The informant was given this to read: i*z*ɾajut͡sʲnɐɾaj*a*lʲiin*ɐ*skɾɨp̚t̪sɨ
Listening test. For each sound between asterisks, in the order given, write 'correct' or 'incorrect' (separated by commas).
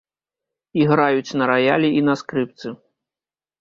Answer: incorrect, correct, correct